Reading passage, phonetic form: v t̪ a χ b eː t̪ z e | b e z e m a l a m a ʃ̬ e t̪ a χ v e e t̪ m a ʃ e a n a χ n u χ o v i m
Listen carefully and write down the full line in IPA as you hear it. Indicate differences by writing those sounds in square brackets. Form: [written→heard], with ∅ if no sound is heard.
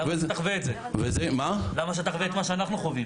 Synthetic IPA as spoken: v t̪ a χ [b→v] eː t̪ z e | [b→v] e z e m a l a m a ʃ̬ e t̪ a χ v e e t̪ m a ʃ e a n a χ n u χ o v i m